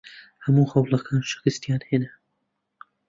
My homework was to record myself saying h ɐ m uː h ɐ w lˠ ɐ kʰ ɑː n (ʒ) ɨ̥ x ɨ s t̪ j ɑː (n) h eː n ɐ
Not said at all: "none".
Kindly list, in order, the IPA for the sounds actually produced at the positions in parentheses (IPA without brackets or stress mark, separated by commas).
ʃ, n